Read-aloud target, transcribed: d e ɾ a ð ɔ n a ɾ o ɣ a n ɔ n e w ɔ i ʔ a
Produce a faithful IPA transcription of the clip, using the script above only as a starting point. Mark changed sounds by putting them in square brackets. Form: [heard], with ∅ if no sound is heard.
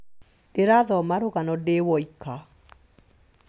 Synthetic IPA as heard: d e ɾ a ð ɔ [m] a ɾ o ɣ a n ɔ [d] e w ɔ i [k] a